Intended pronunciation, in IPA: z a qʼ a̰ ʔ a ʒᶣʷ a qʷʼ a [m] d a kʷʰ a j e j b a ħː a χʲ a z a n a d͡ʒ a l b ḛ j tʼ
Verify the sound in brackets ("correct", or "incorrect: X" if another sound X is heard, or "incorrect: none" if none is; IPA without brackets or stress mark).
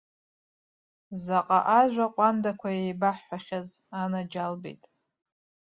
incorrect: n